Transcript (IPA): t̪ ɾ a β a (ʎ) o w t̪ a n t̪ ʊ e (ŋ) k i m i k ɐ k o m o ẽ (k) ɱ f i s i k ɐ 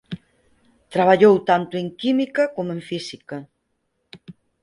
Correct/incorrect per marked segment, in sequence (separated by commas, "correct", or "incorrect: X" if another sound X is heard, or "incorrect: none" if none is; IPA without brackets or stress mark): correct, correct, incorrect: none